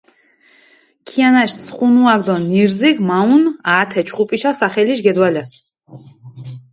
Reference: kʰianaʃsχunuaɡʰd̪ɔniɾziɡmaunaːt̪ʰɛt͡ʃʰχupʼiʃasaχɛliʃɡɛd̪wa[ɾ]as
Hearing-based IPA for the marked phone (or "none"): l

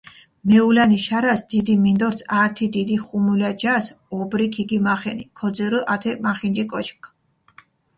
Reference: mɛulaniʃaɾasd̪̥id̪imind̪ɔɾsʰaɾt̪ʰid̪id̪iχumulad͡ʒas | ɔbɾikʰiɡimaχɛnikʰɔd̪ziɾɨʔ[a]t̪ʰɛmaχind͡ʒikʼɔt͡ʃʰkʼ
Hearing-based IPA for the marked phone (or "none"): a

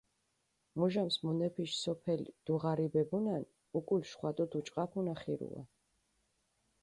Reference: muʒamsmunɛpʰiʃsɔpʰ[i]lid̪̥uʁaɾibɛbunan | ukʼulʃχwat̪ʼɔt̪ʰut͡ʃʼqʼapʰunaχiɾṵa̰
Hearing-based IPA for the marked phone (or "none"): ɛ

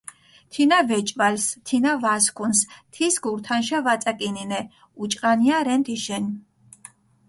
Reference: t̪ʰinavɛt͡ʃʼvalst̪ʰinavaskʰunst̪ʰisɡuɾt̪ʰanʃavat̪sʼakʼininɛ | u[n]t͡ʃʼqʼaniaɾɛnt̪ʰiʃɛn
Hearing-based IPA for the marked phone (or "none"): none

